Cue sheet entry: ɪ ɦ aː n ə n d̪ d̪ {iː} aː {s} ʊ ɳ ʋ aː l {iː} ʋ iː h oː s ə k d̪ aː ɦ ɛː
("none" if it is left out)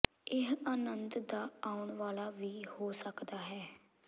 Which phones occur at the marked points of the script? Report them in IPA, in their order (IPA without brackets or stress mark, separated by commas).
aː, none, aː